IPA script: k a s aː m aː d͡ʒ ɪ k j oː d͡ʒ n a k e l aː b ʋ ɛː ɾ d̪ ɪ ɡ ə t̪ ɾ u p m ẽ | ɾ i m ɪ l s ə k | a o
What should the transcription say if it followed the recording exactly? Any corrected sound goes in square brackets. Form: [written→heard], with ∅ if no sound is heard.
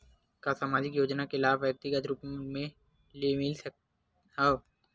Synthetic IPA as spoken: k a s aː m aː d͡ʒ ɪ k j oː d͡ʒ n a k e l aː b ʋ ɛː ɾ [d̪→t̪] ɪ ɡ ə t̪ ɾ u p m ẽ | [ɾ→l] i m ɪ l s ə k | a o